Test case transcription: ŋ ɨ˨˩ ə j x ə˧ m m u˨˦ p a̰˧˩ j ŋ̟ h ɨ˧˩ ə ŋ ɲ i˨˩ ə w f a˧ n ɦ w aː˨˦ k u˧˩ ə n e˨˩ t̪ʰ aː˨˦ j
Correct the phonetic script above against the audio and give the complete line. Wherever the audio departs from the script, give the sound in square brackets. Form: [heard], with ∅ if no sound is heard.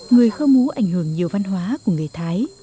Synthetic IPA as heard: ŋ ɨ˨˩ ə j x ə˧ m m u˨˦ [ʔ] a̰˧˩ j ŋ̟ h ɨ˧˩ ə ŋ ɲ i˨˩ ə w [v] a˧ n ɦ w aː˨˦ k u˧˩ ə [ŋ] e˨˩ t̪ʰ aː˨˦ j

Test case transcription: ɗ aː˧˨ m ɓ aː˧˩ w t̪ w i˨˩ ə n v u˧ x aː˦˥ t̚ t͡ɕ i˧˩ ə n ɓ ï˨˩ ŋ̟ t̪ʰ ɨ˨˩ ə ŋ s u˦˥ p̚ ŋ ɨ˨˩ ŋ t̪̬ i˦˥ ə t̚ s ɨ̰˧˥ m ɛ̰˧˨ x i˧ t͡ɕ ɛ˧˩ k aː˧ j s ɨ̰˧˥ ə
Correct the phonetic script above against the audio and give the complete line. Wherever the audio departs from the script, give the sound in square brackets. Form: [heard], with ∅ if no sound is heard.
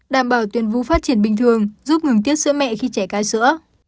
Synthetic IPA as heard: ɗ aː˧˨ m ɓ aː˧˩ w t̪ w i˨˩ ə n v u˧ [f] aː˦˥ t̚ t͡ɕ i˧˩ ə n ɓ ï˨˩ ŋ̟ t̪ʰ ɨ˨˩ ə ŋ [z] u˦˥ p̚ ŋ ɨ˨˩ ŋ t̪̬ i˦˥ ə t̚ s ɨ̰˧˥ m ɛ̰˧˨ x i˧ t͡ɕ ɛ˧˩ k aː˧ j s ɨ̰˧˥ ə

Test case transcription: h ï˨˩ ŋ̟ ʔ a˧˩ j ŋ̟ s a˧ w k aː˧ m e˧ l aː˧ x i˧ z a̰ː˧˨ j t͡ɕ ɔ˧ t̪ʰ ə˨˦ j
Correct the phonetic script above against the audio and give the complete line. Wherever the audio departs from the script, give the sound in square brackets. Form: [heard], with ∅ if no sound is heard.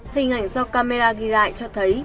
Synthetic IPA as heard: h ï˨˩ ŋ̟ ʔ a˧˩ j ŋ̟ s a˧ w k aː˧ m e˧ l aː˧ [ɣ] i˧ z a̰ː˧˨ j t͡ɕ ɔ˧ t̪ʰ ə˨˦ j

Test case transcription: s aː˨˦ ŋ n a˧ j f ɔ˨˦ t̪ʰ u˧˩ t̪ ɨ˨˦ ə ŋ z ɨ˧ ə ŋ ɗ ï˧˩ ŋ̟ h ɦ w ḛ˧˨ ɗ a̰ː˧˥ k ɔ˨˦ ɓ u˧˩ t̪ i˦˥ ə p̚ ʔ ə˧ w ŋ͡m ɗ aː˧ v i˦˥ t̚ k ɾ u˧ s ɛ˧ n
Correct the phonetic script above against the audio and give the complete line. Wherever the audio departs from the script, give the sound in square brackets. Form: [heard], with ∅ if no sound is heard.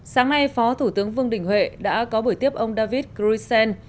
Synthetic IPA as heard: s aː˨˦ ŋ n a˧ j f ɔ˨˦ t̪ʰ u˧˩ t̪ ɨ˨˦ ə ŋ [v] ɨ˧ ə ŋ ɗ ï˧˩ ŋ̟ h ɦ w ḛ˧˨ ɗ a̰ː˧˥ k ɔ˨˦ ɓ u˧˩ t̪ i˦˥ ə p̚ ʔ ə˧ w ŋ͡m ɗ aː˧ v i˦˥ t̚ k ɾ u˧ s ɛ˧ n

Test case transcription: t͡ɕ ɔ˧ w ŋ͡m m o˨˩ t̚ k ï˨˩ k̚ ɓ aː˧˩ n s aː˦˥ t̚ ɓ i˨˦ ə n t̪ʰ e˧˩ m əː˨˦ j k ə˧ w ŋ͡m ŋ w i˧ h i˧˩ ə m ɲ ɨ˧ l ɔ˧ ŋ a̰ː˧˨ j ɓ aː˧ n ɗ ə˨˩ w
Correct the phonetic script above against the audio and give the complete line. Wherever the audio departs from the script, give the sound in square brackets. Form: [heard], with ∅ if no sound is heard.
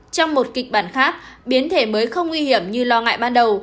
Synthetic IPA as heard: t͡ɕ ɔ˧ w ŋ͡m m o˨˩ t̚ k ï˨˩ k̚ ɓ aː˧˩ n [x] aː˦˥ [k̚] ɓ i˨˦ ə n t̪ʰ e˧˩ m əː˨˦ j [x] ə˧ w ŋ͡m ŋ w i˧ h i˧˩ ə m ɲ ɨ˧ l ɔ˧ ŋ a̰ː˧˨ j ɓ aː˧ n ɗ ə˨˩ w

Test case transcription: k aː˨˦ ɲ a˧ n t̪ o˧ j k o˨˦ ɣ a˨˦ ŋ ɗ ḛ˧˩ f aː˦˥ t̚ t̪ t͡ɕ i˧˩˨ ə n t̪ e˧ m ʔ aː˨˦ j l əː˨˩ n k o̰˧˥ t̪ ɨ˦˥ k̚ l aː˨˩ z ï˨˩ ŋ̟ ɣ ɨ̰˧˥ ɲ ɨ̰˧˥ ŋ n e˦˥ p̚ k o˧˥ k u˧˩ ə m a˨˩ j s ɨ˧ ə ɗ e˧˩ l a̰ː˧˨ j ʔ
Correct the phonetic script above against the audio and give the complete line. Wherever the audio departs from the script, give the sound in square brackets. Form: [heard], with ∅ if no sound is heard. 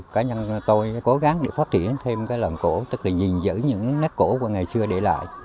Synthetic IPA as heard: k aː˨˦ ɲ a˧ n t̪ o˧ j k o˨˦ ɣ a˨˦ ŋ ɗ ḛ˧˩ f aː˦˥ t̚ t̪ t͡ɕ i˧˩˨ ə n [t̪ʰ] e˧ m [k] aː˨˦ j l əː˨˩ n k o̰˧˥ t̪ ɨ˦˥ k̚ l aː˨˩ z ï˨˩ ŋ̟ [z] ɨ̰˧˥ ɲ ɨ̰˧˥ ŋ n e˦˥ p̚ k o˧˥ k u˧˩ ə [ŋ] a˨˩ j s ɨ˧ ə ɗ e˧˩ l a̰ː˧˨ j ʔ

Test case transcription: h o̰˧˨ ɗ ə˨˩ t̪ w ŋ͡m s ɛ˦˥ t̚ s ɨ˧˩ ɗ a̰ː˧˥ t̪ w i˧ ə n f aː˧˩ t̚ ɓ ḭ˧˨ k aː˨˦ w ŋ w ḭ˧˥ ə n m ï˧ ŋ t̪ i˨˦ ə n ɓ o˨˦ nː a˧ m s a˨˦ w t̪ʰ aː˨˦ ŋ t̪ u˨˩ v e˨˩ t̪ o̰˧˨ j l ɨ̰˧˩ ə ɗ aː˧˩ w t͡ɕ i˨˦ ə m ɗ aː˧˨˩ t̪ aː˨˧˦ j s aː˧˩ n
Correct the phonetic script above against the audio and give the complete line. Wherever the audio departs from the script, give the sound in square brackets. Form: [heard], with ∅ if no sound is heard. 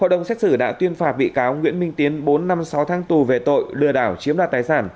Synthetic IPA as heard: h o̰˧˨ ɗ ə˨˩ [∅] w ŋ͡m s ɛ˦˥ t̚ s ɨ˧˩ ɗ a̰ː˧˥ t̪ w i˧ ə n f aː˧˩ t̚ ɓ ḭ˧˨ k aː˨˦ w ŋ w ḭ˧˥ ə n m ï˧ ŋ t̪ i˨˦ ə n ɓ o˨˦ nː a˧ m s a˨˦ w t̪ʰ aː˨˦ ŋ t̪ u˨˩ v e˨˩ t̪ o̰˧˨ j l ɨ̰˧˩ ə ɗ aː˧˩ w t͡ɕ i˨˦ ə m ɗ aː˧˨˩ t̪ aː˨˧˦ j s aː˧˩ n

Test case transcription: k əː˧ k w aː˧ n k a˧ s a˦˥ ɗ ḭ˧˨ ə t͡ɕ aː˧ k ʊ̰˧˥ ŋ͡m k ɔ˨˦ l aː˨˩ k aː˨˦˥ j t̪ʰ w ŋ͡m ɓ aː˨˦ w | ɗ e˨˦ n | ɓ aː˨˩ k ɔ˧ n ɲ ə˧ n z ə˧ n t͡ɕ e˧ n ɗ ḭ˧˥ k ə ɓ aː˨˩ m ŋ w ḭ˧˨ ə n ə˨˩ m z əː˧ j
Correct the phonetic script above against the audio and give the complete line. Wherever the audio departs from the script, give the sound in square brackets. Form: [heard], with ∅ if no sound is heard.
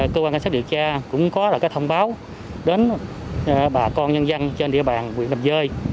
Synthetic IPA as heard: k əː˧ k w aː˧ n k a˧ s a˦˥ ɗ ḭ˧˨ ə t͡ɕ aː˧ k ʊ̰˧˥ ŋ͡m k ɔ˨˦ l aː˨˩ k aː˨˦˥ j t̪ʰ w ŋ͡m ɓ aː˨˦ w | ɗ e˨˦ n | ɓ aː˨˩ k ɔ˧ n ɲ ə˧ n z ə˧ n t͡ɕ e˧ n ɗ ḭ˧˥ [∅] ə ɓ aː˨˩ [n] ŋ w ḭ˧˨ ə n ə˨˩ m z əː˧ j

